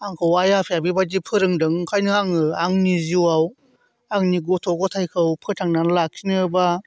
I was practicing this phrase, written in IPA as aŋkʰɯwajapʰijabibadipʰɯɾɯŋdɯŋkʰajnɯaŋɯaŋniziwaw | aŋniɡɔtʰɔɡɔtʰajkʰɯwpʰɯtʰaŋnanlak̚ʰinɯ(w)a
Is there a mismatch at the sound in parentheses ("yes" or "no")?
yes